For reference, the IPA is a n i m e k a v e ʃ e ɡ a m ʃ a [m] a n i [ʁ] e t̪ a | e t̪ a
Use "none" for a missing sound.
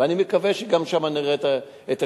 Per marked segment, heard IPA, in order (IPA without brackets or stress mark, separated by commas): m, ʁ